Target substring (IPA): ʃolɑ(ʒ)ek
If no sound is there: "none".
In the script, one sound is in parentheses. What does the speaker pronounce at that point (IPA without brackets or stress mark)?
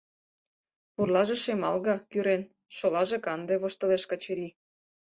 ʒ